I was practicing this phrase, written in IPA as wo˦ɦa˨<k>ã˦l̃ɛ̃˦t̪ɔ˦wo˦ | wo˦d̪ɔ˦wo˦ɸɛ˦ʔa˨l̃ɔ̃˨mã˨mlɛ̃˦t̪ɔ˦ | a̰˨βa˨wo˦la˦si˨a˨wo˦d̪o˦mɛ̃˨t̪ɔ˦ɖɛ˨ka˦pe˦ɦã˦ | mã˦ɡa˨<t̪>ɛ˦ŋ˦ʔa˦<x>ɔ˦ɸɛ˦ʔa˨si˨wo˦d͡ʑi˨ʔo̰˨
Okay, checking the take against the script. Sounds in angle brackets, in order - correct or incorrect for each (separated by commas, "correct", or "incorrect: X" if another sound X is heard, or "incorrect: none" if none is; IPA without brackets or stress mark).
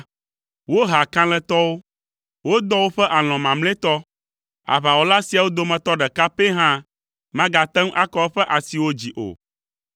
correct, correct, incorrect: k